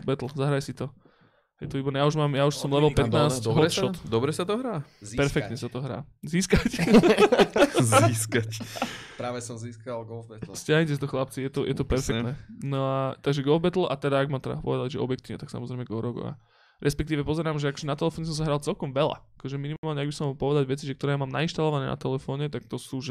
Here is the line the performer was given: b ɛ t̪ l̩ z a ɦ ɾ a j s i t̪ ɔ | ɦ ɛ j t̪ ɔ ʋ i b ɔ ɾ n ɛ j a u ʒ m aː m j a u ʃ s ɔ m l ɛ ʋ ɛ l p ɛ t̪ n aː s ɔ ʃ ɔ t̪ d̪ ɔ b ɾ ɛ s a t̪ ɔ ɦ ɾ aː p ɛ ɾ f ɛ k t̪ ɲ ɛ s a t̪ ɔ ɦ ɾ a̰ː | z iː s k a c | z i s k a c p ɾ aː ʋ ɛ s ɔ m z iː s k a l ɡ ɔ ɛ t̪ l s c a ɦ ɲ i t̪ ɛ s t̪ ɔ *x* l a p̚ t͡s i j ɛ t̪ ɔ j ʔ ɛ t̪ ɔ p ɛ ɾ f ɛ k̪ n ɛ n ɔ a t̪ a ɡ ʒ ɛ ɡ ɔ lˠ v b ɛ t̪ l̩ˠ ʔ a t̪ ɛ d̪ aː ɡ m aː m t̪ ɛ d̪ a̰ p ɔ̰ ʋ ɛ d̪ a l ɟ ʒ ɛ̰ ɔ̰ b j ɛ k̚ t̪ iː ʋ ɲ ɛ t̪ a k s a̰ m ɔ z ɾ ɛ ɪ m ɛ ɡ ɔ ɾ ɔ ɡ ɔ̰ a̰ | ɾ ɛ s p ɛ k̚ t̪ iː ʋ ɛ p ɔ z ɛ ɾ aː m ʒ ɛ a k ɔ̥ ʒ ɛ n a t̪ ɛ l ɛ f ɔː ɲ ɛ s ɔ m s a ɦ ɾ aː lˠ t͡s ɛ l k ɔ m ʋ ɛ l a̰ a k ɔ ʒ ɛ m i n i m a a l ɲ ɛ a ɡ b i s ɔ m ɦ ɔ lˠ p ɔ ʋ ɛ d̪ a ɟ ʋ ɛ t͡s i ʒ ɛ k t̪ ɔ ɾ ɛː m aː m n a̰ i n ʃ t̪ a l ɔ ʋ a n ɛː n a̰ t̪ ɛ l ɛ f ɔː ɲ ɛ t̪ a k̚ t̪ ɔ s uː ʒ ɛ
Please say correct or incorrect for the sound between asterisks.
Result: correct